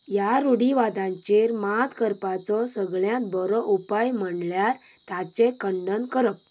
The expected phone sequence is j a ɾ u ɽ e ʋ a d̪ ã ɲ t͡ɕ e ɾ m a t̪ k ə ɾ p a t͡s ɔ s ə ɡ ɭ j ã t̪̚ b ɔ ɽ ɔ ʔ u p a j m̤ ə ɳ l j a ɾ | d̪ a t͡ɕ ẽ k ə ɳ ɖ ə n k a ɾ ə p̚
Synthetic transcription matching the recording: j a ɾ u ɽ i ʋ a d̪ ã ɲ t͡ɕ e ɾ m a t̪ k ə ɾ p a t͡s ɔ s ə ɡ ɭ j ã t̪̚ b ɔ ɾ ɔ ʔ u p a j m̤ ə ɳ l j a ɾ | t̪ a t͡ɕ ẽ k ə ɳ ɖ ə n k ə ɾ ə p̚

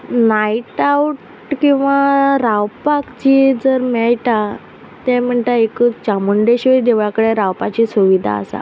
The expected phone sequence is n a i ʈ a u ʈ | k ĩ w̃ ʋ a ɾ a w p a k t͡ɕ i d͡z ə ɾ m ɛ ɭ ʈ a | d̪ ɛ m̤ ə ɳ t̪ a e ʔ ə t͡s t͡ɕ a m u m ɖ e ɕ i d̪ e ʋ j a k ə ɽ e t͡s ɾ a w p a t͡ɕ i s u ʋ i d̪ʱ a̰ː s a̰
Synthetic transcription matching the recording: n a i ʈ a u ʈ | k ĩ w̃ ʋ a ɾ a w p a k t͡ɕ i d͡z ə ɾ m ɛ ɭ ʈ a | t̪ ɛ m̤ ə ɳ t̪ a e k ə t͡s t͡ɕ a m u ɳ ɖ e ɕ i d̪ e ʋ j a k ə ɽ e ɾ a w p a t͡ɕ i s u ʋ i d̪ʱ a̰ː s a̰

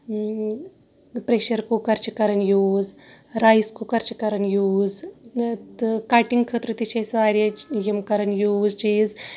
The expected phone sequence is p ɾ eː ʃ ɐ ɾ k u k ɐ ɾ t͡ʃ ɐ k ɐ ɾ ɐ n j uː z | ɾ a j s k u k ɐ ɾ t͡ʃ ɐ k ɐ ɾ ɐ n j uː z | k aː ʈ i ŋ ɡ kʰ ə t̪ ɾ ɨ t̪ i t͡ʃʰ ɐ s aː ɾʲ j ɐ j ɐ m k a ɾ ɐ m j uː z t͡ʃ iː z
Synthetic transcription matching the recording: p ɾ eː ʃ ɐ ɾ k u k ɐ ɾ t͡ʃ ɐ k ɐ ɾ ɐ n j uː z | ɾ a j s k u k ɐ ɾ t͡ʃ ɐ k ɐ ɾ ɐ n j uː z | k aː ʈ i ŋ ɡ kʰ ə t̪ ɾ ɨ t̪ i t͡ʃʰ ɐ s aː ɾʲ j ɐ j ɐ m k ɐ ɾ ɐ n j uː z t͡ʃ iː z

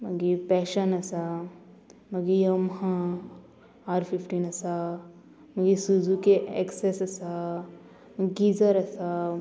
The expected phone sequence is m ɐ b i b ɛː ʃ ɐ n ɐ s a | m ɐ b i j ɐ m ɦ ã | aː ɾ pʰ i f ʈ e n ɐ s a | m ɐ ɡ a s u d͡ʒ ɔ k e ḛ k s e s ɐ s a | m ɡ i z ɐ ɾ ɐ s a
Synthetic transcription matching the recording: m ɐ ɡ i p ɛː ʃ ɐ n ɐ s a | m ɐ ɡ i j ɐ m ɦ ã | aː ɾ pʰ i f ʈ i n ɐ s a | m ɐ ɡ i s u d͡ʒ u k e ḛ k s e s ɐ s a | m ɡ i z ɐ ɾ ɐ s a

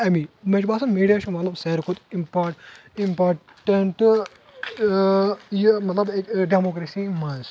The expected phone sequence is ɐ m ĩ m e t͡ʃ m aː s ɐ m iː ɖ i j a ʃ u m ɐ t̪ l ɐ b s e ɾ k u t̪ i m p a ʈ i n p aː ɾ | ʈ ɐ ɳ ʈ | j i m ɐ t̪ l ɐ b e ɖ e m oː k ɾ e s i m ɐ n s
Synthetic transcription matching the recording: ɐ m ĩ m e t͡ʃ b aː s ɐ m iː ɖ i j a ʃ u m ɐ t̪ l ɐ b s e ɾ k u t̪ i m p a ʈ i m p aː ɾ | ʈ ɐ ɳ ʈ | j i m ɐ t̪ l ɐ b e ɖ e m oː k ɾ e s i m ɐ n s

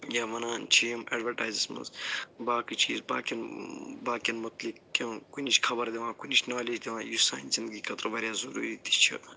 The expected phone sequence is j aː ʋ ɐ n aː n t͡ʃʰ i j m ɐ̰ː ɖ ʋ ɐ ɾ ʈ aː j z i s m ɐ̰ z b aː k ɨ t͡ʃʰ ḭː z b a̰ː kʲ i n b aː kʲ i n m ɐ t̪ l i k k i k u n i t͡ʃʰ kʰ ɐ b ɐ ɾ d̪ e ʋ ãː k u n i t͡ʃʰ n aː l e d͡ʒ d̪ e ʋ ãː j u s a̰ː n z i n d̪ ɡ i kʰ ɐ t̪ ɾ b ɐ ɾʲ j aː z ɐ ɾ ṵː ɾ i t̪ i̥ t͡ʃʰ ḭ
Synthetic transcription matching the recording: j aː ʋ ɐ n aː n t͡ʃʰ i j m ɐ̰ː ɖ ʋ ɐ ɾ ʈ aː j z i s m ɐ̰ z b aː k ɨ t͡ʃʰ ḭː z b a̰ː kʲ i n b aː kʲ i n m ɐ t̪ l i k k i k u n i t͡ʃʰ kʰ ɐ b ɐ ɾ d̪ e ʋ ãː k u n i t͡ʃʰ n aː l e d͡ʒ d̪ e ʋ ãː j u s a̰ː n z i n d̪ ɡ i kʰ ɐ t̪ ɾ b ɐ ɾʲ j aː z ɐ ɾ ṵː ɾ i t̪ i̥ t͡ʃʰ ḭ

